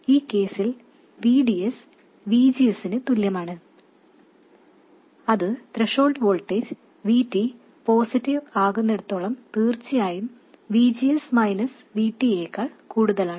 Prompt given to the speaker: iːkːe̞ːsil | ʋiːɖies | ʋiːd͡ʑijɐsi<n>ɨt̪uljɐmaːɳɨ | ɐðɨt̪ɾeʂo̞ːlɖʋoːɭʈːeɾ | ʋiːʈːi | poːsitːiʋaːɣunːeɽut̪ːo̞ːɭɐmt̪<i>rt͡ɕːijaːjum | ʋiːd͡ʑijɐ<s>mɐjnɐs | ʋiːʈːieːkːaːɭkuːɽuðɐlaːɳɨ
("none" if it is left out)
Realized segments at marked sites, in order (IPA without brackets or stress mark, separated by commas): n, iː, s